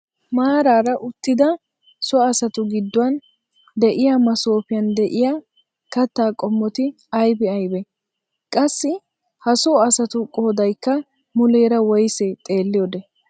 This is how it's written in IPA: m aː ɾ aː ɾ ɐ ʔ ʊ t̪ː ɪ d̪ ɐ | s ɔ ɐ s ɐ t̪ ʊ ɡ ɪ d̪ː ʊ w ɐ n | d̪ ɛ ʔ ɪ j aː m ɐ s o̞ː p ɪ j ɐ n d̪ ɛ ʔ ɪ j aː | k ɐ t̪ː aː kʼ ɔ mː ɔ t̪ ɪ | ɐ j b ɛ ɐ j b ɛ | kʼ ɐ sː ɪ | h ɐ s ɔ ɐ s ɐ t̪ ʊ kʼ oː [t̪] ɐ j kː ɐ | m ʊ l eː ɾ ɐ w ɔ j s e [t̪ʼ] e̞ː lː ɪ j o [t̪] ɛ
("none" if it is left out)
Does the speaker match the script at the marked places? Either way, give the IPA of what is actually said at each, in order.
d̪, t̪ʼ, d̪

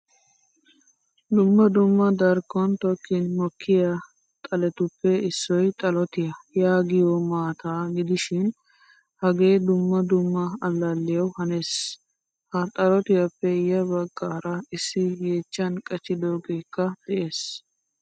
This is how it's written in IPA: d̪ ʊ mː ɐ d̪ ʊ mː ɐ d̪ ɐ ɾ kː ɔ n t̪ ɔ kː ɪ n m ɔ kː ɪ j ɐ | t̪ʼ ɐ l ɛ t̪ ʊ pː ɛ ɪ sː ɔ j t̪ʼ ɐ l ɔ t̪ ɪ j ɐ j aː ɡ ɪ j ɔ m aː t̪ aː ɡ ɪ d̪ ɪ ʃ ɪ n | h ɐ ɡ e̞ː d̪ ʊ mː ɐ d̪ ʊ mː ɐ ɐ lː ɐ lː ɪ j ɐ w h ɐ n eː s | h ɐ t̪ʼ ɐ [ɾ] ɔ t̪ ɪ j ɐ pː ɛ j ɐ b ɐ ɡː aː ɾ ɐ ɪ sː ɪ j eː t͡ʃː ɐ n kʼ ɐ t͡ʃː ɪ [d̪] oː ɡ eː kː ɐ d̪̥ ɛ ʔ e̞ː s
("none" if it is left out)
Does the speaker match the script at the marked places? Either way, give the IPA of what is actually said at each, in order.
l, d̪

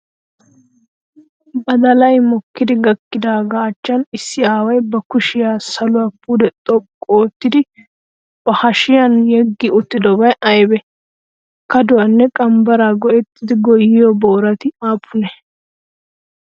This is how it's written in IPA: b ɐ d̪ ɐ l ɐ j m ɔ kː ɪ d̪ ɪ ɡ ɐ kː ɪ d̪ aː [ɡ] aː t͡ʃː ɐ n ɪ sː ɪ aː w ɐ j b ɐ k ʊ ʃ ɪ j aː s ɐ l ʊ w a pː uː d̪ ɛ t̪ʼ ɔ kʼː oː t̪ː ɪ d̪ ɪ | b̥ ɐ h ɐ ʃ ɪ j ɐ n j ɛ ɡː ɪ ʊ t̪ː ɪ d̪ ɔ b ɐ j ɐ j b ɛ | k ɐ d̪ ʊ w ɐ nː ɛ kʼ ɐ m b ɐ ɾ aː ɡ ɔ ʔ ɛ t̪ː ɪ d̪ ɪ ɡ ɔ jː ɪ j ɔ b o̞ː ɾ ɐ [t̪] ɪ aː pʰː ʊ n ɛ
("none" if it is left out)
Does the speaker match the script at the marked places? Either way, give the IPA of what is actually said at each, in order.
ɡ, t̪

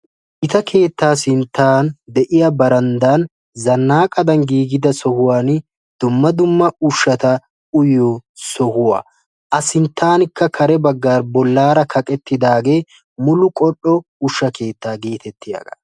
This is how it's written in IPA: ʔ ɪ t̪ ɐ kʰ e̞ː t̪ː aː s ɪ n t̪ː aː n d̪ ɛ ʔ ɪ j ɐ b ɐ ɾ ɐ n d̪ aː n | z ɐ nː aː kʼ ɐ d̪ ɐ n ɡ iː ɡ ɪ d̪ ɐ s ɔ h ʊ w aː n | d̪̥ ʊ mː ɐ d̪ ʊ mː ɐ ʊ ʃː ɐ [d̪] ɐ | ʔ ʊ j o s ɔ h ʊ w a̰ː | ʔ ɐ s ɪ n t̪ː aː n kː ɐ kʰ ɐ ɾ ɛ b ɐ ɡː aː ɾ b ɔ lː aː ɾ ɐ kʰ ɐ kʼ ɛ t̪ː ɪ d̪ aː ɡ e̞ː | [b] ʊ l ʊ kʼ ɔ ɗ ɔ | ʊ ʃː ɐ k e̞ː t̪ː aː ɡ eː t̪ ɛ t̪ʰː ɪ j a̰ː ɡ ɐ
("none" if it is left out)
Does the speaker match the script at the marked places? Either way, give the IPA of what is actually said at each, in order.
t̪, m

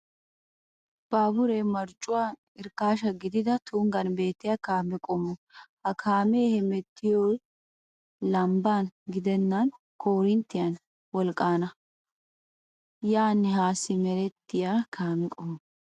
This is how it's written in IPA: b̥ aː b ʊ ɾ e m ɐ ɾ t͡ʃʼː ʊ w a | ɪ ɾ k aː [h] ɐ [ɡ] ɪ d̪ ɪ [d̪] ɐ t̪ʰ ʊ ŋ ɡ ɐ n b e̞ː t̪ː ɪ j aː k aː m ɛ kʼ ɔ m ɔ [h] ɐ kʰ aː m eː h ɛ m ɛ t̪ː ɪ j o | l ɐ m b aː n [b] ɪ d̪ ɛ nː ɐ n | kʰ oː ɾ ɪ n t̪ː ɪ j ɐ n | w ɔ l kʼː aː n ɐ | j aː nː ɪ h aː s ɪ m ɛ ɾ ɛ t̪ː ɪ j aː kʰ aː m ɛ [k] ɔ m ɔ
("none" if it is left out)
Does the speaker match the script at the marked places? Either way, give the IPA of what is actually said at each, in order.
ʃ, ɡ, d̪, h, ɡ, kʼ

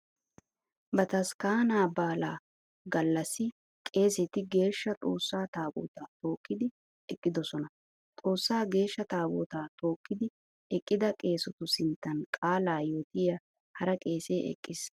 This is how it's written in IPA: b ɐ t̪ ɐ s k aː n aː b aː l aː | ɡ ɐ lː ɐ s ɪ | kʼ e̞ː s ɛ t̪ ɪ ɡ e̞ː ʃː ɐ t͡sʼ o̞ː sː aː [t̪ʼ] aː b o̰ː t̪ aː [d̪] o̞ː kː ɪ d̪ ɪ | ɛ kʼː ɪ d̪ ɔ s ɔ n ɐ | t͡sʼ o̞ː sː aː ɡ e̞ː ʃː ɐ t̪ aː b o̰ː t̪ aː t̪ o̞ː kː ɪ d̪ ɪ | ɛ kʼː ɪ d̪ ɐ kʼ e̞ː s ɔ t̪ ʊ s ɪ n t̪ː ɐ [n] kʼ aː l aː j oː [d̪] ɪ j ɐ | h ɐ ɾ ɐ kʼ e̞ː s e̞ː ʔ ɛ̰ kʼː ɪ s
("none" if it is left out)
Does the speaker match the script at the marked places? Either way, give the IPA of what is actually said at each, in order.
t̪, t̪, n, t̪

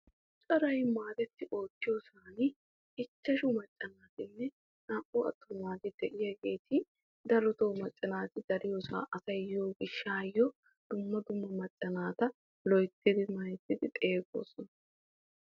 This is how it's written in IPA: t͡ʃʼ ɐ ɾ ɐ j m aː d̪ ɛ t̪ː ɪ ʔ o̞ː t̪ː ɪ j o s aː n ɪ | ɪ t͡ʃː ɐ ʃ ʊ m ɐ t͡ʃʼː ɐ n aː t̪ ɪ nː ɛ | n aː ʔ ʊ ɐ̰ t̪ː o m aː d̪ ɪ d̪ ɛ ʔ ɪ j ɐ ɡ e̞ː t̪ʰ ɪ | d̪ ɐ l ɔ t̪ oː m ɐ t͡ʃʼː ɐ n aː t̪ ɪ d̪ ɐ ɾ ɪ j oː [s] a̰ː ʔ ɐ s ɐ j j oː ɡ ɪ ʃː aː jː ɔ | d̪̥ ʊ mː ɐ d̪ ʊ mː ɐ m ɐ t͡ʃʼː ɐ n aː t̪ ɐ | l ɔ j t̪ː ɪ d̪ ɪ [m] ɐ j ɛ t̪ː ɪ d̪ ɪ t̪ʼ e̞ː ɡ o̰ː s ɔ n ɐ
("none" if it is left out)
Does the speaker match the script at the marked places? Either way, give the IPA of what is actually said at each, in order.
s, m

